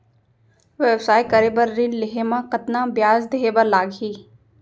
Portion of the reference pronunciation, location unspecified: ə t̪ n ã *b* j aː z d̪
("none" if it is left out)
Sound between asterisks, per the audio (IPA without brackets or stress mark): b